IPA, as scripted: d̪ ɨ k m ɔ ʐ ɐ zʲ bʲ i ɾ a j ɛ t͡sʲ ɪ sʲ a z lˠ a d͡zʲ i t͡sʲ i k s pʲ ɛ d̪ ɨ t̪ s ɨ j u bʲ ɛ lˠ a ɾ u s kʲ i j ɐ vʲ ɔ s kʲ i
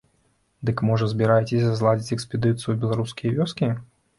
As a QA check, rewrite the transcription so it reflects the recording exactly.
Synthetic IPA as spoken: d̪ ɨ k m ɔ ʐ ɐ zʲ bʲ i ɾ a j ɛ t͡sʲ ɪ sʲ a z lˠ a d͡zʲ i t͡sʲ ɛ k s pʲ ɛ d̪ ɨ t̪ s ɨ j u bʲ ɛ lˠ a ɾ u s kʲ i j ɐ vʲ ɔ s kʲ i